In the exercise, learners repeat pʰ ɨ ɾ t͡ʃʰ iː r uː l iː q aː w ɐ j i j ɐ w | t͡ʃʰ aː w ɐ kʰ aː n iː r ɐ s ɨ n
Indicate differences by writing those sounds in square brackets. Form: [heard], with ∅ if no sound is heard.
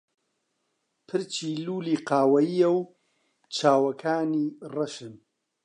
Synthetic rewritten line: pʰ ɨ ɾ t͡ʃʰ iː [l] uː l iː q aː w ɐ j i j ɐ w | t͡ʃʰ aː w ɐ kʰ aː n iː r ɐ [ʃ] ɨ n